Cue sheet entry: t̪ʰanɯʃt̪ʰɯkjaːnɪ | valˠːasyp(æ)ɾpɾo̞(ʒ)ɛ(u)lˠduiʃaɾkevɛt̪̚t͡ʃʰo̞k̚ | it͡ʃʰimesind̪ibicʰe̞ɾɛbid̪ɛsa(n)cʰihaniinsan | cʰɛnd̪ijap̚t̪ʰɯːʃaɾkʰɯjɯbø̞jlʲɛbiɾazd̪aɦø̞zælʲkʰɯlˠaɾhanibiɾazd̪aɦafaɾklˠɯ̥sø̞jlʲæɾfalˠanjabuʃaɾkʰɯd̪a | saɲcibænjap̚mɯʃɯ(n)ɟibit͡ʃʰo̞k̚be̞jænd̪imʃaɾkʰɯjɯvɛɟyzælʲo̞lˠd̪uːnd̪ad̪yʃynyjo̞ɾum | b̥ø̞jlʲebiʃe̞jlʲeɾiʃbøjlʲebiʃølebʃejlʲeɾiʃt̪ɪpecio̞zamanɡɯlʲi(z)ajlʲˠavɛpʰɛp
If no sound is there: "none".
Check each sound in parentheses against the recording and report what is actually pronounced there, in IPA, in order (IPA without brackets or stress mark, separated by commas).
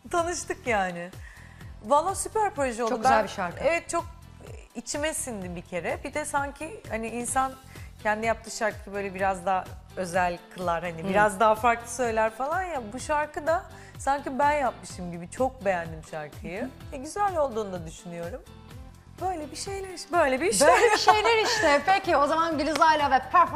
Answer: æ, ʒ, o, ɲ, m, z